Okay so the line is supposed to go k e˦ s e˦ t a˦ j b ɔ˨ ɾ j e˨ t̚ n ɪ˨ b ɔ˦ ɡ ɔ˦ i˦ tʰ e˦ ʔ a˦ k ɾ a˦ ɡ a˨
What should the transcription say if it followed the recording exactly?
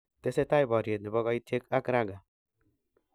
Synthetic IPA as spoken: t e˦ s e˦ t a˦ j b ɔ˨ ɾ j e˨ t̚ n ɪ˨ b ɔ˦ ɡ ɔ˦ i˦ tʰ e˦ k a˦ k ɾ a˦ ɡ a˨